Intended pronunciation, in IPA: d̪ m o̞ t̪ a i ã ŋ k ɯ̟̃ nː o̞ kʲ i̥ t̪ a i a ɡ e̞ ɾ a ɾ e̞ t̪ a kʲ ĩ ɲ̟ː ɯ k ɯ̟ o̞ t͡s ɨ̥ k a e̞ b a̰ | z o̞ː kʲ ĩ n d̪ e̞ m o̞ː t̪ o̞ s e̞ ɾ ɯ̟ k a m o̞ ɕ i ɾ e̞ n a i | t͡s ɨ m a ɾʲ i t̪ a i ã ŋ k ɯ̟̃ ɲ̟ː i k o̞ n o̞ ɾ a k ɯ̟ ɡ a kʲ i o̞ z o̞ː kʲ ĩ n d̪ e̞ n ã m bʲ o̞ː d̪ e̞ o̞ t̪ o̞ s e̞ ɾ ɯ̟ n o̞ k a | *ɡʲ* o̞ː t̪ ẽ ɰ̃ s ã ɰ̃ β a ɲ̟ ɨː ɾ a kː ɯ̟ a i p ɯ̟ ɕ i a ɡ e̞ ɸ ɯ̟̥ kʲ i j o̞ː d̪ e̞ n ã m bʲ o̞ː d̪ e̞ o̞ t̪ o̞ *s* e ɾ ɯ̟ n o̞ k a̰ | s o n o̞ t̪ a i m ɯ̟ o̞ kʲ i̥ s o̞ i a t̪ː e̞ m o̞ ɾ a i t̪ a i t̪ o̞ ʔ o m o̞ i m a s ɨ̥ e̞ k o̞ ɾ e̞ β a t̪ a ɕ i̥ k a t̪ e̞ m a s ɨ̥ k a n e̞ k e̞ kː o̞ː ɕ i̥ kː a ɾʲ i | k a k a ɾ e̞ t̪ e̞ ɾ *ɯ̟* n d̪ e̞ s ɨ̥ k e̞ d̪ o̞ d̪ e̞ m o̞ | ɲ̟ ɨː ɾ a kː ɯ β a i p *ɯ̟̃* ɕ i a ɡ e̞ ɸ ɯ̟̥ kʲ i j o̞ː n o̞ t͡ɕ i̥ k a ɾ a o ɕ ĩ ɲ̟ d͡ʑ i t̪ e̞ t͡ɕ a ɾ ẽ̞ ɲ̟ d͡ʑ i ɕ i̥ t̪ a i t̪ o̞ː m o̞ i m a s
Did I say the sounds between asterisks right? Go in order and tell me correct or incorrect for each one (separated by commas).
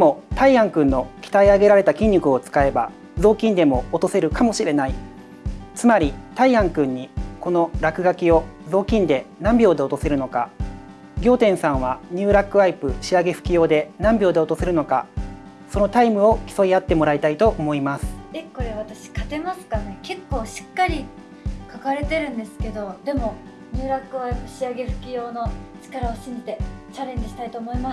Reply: correct, correct, incorrect, incorrect